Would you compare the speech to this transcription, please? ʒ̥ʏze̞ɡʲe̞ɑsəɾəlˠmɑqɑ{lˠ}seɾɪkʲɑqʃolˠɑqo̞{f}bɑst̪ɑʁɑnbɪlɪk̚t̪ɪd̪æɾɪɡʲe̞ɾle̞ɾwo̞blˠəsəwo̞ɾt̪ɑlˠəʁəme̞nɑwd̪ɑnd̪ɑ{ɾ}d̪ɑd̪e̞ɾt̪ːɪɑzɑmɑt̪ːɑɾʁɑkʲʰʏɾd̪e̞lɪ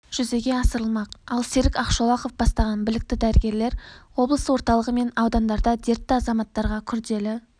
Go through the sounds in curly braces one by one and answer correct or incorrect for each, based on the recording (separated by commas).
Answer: correct, correct, correct